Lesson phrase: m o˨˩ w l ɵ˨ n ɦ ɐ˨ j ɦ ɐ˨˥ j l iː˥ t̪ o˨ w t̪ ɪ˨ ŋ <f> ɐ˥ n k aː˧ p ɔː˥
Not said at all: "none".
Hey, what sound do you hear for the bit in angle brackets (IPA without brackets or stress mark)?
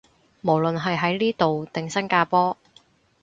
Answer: s